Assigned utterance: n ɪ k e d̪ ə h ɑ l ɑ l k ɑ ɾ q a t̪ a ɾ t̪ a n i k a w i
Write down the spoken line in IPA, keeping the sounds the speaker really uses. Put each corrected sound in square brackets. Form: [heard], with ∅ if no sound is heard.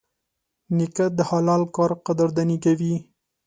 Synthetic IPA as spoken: n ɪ k [a] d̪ ə h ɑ l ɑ l k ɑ ɾ q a [d̪] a ɾ [d̪] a n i k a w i